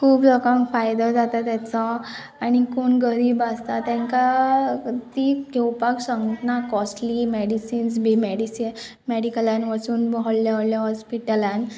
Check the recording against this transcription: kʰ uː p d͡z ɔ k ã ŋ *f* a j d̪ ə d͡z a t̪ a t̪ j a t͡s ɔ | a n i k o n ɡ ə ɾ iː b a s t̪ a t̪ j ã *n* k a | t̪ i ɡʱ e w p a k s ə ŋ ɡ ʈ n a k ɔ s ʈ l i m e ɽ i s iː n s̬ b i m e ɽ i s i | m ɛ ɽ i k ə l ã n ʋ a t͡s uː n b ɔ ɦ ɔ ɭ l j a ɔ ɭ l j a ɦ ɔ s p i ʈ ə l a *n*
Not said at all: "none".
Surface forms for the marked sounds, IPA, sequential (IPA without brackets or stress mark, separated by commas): f, ŋ, n